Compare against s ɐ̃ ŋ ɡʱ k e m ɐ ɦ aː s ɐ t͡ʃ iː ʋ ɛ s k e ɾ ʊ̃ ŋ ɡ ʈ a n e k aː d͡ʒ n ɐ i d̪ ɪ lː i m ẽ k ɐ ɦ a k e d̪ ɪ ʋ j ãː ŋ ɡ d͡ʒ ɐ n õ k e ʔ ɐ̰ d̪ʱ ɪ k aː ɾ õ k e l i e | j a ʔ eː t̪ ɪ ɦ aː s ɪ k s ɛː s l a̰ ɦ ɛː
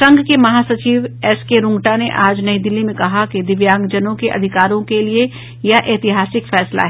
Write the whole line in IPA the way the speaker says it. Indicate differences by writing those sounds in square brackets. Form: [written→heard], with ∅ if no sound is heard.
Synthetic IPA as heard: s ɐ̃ ŋ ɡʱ k e m ɐ ɦ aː s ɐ t͡ʃ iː ʋ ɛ s k e ɾ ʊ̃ ŋ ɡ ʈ a n e [k→ʔ] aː d͡ʒ n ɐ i d̪ ɪ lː i m ẽ k ɐ ɦ a k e d̪ ɪ ʋ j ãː ŋ ɡ d͡ʒ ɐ n õ k e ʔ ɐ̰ d̪ʱ ɪ k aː ɾ õ k e l i e | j a ʔ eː t̪ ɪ ɦ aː s ɪ k [s→f] ɛː s l a̰ ɦ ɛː